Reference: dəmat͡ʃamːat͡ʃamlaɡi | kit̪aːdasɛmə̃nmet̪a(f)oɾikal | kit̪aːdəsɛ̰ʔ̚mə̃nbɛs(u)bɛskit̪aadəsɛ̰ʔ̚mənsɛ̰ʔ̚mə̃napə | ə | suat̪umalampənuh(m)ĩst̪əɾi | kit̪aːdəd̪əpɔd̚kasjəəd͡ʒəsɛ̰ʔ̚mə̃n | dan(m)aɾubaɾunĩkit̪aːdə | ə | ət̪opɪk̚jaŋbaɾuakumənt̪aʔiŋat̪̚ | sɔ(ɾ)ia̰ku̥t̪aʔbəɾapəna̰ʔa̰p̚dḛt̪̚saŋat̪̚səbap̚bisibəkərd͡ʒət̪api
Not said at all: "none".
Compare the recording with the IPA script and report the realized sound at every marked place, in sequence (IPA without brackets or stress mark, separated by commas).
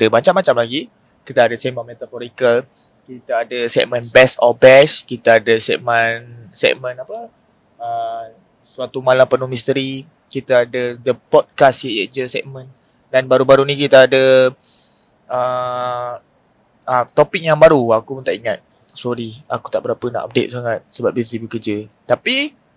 f, ɔ, m, b, ɾ